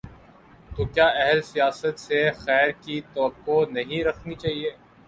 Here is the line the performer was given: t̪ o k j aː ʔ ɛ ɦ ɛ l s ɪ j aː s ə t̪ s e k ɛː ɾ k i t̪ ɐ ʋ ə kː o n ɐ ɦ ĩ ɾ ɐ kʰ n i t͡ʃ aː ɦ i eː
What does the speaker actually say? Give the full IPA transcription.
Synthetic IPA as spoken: t̪ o k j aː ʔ ɛ ɦ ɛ l s i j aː s ə t̪ s e x ɛː ɾ k i t̪ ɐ ʋ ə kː o n ɐ ɦ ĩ ɾ ɐ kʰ n i t͡ʃ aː ɦ i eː